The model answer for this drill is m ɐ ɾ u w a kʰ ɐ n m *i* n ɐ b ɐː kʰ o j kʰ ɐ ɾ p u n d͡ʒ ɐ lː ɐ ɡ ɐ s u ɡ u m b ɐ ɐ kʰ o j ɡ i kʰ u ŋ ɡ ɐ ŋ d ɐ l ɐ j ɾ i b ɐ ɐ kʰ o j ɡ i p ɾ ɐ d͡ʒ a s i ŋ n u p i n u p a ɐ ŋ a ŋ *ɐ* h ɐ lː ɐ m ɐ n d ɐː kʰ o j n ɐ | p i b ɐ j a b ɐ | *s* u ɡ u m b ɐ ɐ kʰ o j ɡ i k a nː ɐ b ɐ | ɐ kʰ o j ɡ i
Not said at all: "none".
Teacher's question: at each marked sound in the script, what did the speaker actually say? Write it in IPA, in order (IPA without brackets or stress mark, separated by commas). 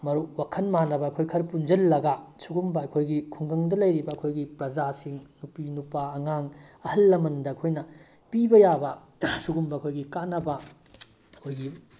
a, ɐ, s